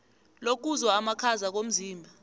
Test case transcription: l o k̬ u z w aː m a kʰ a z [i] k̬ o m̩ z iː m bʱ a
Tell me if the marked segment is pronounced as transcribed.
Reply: no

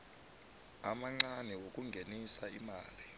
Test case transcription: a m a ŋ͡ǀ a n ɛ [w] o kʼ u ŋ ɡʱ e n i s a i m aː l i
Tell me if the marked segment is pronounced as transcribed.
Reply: yes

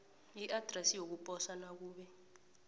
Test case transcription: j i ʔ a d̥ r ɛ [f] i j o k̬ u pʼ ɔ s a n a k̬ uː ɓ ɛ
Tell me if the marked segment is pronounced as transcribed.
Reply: no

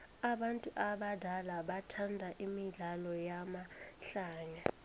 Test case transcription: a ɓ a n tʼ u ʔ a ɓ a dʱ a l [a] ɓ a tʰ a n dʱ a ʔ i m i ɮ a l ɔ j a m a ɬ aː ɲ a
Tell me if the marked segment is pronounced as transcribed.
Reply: yes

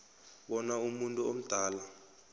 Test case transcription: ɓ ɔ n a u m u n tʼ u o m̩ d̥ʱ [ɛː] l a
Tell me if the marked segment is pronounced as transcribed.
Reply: no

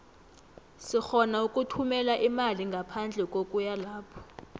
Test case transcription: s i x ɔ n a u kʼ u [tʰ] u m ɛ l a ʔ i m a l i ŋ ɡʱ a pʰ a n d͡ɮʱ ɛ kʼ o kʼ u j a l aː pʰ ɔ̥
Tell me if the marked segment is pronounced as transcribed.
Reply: yes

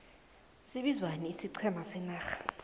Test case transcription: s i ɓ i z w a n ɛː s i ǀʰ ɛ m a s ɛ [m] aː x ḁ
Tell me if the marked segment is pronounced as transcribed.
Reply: no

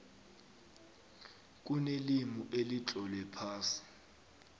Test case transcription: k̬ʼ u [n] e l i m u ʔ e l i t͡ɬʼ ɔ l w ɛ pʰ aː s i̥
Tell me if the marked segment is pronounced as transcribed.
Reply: yes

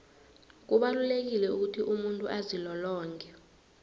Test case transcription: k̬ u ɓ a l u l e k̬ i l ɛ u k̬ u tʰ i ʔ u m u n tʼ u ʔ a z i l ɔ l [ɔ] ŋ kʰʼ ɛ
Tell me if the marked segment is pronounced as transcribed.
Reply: no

